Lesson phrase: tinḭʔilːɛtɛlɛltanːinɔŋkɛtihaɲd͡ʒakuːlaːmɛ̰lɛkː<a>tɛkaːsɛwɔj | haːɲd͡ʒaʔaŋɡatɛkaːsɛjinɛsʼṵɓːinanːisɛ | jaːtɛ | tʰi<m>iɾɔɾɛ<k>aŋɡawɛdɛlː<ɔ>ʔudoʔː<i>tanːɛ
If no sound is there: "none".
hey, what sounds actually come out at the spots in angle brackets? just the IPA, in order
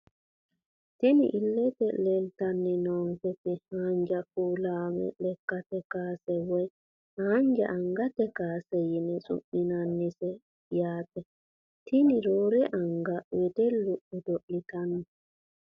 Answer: a, n, ʔ, u, i

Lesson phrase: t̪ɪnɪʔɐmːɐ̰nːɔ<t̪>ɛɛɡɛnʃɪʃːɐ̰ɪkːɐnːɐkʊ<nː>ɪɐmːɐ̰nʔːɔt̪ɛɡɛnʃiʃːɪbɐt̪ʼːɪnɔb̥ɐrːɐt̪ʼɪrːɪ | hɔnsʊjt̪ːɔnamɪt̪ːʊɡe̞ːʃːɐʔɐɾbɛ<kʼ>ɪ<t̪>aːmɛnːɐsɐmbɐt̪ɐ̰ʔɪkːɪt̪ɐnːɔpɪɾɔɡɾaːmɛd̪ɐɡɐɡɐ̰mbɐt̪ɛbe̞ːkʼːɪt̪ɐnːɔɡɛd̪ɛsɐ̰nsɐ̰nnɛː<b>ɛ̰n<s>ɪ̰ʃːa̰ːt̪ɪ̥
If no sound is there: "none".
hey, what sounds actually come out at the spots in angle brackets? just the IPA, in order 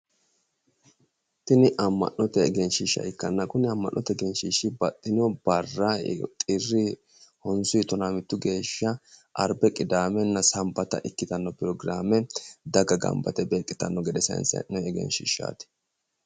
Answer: t̪, n, kʼ, d̪, ɡ, ʃ

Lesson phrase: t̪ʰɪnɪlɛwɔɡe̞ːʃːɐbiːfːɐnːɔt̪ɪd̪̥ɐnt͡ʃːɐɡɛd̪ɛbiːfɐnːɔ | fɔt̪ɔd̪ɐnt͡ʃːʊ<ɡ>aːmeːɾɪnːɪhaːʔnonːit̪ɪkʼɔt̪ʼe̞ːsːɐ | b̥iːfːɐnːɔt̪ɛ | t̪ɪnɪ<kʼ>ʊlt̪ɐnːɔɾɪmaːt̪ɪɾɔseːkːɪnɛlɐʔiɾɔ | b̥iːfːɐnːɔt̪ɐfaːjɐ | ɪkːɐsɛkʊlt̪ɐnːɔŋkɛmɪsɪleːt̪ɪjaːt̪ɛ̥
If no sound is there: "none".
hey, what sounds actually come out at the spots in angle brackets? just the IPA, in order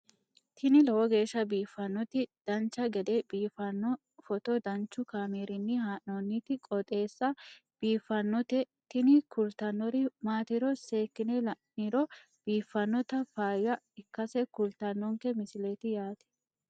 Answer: k, k

